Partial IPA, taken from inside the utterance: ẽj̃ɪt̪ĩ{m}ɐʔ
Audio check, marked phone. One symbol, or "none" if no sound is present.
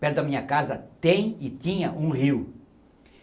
ɲ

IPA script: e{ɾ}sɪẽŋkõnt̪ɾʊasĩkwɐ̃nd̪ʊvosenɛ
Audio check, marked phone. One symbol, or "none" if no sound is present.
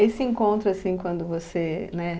none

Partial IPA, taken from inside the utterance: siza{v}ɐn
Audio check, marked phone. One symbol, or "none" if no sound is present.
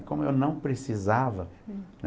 v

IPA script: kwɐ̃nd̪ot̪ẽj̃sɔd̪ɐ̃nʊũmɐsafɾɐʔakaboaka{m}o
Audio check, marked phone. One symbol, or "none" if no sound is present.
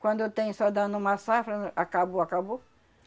b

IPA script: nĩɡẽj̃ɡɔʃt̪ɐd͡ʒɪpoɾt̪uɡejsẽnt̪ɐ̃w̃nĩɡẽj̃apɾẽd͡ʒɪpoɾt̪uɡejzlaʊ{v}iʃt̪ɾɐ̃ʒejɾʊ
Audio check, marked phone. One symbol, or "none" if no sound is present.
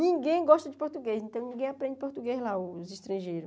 z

